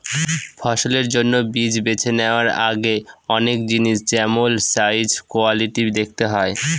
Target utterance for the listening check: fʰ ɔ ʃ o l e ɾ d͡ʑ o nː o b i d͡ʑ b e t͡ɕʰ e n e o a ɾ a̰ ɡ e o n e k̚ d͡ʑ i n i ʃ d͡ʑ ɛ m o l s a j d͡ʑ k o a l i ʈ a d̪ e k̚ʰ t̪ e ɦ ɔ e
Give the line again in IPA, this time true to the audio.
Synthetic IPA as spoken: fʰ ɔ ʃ o l e ɾ d͡ʑ o nː o b i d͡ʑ b e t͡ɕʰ e n e o a ɾ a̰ ɡ e ɔ n e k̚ d͡ʑ i n i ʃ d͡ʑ ɛ m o l s a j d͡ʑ k o a l i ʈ i d̪ e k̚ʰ t̪ e ɦ ɔ e